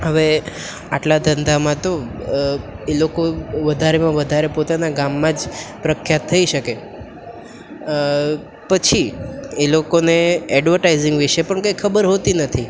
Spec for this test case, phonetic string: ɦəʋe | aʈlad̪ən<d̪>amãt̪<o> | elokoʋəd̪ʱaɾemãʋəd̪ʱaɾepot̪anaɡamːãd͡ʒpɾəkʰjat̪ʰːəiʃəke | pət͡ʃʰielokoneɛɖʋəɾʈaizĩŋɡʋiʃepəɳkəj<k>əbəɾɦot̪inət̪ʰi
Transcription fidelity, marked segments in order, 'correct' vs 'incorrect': correct, correct, incorrect

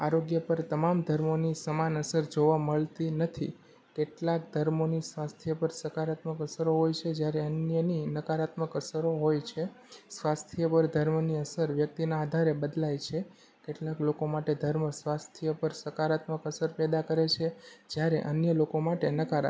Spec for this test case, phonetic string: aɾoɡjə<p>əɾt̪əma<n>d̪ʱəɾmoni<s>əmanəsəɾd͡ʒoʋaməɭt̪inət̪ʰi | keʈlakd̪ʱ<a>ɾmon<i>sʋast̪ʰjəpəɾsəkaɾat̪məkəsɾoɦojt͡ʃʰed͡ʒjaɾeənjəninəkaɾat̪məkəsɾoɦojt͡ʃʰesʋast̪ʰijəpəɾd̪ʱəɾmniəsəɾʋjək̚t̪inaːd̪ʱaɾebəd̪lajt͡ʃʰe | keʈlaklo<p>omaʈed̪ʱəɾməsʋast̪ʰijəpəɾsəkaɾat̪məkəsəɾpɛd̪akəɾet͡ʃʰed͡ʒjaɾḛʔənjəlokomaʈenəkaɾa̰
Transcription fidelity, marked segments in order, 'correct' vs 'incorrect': correct, incorrect, correct, incorrect, correct, incorrect

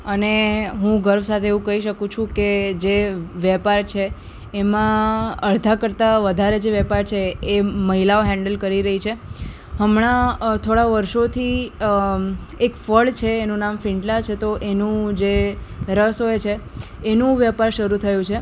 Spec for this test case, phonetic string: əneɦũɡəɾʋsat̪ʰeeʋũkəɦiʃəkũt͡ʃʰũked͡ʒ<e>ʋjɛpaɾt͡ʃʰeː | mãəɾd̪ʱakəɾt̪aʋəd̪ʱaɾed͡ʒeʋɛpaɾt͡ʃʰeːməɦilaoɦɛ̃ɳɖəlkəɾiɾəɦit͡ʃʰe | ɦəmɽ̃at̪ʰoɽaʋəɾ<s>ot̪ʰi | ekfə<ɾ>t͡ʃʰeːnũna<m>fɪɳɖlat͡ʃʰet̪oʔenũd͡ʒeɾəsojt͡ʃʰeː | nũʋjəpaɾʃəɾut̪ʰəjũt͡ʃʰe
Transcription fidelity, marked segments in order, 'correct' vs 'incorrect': correct, incorrect, incorrect, correct

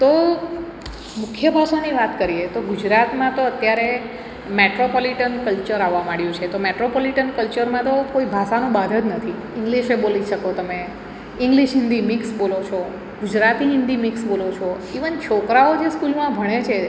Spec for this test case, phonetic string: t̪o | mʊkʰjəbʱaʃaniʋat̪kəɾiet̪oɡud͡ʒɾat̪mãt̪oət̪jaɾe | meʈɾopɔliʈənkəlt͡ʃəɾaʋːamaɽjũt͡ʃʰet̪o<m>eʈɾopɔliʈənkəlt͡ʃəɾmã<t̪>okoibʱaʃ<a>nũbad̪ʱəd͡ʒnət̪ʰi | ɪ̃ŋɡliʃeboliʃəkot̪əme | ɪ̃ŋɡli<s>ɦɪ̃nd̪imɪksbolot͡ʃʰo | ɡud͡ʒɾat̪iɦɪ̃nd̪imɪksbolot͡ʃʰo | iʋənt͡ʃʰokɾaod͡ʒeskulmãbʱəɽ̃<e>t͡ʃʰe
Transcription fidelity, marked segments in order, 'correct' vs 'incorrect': correct, correct, correct, incorrect, correct

